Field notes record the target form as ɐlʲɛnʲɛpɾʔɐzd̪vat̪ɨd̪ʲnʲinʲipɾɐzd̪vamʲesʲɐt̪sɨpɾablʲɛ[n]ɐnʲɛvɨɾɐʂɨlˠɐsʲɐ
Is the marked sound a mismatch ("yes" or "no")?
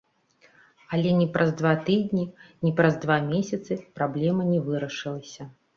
yes